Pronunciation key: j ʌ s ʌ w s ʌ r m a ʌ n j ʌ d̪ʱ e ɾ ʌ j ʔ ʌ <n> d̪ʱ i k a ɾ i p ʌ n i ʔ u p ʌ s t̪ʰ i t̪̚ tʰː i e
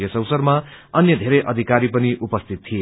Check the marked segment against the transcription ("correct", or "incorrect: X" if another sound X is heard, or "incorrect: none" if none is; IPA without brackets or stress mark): incorrect: none